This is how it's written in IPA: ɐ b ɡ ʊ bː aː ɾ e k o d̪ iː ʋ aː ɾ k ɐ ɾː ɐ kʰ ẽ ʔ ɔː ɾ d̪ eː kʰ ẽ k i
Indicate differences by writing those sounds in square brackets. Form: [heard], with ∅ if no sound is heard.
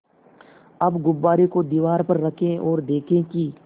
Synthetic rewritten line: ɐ b ɡ ʊ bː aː ɾ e k o d̪ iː ʋ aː ɾ [p] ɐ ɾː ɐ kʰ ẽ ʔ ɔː ɾ d̪ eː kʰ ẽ k i